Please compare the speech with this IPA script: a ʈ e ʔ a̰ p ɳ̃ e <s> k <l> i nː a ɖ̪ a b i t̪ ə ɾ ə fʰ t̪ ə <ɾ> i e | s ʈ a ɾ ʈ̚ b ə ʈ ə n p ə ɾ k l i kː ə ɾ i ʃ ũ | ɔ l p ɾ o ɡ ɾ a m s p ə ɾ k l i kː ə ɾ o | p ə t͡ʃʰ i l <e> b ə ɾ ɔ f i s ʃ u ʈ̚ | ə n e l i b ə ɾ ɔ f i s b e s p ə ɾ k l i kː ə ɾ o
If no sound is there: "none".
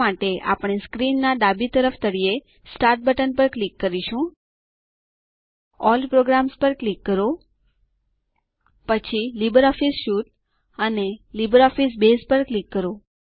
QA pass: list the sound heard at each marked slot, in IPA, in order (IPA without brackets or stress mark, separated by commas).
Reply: s, ɾ, ɽ, i